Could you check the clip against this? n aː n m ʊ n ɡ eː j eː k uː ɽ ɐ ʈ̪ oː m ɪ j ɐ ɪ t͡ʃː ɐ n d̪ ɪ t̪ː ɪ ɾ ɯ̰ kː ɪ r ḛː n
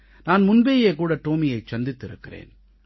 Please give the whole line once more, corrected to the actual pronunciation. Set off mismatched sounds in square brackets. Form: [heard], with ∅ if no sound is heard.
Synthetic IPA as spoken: n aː n m ʊ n [b] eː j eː k uː ɽ ɐ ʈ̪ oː m ɪ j ɐ ɪ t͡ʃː ɐ n d̪ ɪ t̪ː ɪ ɾ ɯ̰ kː ɪ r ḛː n